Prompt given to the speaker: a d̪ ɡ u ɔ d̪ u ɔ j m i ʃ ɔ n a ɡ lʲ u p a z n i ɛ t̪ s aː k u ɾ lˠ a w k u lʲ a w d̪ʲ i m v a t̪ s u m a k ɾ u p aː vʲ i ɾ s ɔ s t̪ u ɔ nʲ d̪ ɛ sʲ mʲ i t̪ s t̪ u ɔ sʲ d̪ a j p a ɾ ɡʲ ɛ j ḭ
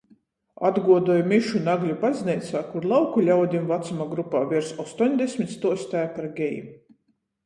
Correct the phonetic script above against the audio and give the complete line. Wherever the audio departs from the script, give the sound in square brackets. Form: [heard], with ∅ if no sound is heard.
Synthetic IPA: a d̪ ɡ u ɔ d̪ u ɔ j m i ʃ [u] n a ɡ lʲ u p a z n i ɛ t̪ s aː k u ɾ lˠ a w k u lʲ a w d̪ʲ i m v a t̪ s u m a [ɡ] ɾ u p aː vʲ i ɾ s ɔ s t̪ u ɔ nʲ d̪ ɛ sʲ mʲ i t̪ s t̪ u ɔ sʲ [t̪] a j p a ɾ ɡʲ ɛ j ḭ